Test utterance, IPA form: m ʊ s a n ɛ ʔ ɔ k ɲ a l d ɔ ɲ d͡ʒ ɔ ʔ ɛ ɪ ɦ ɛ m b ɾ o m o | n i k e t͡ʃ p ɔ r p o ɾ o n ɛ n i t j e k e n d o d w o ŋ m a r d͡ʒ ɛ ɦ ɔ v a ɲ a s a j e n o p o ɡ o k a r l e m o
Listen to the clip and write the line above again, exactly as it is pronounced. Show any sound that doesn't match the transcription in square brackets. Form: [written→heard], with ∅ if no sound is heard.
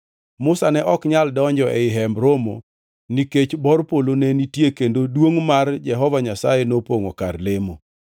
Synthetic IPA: m ʊ s a n ɛ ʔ ɔ k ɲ a l d ɔ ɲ d͡ʒ ɔ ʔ ɛ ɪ ɦ ɛ m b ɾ o m o | n i k e t͡ʃ [p→b] ɔ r p o [ɾ→l] o n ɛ n i t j e k e n d o d w o ŋ m a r d͡ʒ ɛ ɦ ɔ v a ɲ a s a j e n o p o [ɡ→ŋ] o k a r l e m o